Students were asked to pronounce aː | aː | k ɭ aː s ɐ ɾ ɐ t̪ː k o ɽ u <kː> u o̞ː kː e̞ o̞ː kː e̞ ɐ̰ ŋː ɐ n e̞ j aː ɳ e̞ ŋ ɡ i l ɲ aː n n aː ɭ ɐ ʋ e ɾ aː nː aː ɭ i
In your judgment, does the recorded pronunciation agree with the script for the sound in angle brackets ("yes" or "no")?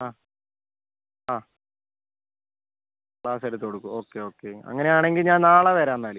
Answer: yes